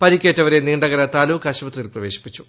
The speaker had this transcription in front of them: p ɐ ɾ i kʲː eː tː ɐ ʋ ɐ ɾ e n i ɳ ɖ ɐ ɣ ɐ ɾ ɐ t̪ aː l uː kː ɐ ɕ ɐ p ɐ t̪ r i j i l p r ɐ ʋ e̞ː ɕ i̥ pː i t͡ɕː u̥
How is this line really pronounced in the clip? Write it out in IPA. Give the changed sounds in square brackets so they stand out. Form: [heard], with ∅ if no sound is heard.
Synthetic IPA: p ɐ ɾ i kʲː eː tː ɐ ʋ ɐ ɾ e n [iː] ɳ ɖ ɐ ɣ ɐ ɾ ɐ t̪ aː l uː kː ɐ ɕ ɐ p ɐ t̪ r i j i l p r ɐ ʋ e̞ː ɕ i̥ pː i t͡ɕː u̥